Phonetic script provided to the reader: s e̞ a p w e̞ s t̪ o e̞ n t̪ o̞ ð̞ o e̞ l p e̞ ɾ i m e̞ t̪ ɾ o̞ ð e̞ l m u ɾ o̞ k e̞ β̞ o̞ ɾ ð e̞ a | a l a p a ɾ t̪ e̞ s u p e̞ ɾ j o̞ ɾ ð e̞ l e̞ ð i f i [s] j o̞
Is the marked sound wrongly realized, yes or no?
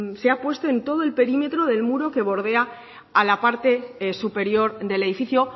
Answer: yes